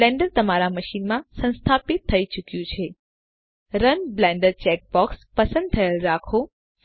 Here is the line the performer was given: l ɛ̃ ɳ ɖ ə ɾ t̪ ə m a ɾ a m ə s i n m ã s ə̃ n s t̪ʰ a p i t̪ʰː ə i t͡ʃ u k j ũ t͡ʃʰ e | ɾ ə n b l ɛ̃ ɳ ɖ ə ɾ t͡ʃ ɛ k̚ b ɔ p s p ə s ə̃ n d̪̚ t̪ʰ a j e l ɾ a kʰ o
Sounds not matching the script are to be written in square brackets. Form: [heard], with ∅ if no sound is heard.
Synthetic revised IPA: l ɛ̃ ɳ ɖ ə ɾ t̪ ə m a ɾ a m ə [ʃ] i n m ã s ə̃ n s t̪ʰ a p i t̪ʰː ə i t͡ʃ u k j ũ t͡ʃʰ e | ɾ ə n b l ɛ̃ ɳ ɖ ə ɾ t͡ʃ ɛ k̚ b ɔ [k] s p ə s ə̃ n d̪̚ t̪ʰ [ə] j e l ɾ a kʰ o